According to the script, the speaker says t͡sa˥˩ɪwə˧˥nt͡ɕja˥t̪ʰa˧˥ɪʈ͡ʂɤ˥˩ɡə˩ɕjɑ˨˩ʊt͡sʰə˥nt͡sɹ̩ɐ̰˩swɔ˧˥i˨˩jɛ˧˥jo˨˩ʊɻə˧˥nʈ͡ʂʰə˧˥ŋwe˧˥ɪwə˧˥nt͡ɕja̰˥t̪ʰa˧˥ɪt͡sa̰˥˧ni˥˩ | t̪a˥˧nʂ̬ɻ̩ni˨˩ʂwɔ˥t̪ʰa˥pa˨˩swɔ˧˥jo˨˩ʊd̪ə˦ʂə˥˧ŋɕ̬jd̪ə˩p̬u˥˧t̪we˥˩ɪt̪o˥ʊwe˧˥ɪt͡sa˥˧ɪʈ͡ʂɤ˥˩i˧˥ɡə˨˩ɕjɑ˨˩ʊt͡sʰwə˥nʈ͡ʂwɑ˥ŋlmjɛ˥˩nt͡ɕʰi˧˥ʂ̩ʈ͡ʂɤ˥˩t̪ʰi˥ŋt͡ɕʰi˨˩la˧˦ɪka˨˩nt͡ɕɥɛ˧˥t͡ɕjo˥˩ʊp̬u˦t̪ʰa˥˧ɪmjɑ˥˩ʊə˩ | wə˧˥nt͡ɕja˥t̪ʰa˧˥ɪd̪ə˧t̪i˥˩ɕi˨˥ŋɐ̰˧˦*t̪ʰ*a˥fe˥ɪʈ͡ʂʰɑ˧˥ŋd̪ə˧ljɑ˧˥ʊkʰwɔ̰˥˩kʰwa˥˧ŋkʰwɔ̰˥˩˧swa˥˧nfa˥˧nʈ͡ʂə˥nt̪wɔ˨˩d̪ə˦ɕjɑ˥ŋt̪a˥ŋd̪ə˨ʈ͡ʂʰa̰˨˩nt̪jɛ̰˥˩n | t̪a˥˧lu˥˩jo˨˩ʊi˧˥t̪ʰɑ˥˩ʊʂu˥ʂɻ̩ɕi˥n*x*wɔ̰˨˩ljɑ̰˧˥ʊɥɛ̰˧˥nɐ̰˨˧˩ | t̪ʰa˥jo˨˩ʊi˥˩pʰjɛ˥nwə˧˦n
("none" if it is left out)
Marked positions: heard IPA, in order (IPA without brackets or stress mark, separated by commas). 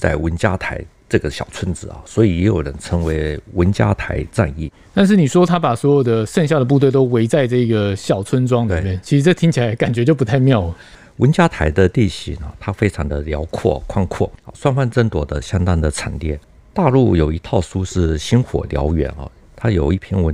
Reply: t̪ʰ, x